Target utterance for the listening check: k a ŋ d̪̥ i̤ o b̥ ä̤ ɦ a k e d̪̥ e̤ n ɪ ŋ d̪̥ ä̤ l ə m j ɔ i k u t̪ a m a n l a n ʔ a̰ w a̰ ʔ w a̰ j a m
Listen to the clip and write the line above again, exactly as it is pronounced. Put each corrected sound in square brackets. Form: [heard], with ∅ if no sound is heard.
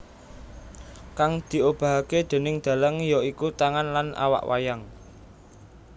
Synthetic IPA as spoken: k a ŋ d̪̥ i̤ o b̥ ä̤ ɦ a k e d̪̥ e̤ n ɪ ŋ d̪̥ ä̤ l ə [ŋ] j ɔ i k u t̪ a [ŋ] a n l a n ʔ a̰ w a̰ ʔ w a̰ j a [ŋ]